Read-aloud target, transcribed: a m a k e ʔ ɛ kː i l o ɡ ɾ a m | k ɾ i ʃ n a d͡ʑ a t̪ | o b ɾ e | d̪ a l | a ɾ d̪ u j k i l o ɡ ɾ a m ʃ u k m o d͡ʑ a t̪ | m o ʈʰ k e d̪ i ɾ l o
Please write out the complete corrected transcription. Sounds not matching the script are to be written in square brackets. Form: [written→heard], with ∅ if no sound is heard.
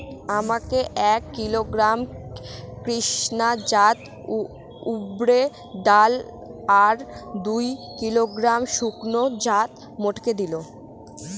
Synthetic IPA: a m a k e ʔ ɛ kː i l o ɡ ɾ a m | k ɾ i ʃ n a d͡ʑ a t̪ | [o→u] b ɾ e | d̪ a l | a ɾ d̪ u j k i l o ɡ ɾ a m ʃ u k [m→n] o d͡ʑ a t̪ | m o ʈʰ k e d̪ i [ɾ→∅] l o